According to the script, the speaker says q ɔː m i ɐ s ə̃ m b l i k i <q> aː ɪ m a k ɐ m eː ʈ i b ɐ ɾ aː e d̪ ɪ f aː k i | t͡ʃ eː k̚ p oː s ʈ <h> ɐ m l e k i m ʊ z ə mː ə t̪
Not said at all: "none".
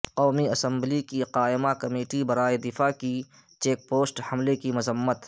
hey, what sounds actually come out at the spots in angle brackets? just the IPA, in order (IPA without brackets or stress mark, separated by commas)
q, h